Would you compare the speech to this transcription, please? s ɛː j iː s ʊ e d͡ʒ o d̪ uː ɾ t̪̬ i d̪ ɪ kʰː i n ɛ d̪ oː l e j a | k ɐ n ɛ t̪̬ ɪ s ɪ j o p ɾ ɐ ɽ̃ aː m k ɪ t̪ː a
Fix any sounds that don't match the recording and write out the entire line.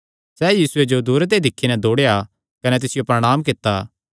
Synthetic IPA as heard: s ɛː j iː s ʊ e d͡ʒ o d̪ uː ɾ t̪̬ e d̪ ɪ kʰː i n ɛ d̪ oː ɽ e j a | k ɐ n ɛ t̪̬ ɪ s ɪ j o p ɾ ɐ ɽ̃ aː m k ɪ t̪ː a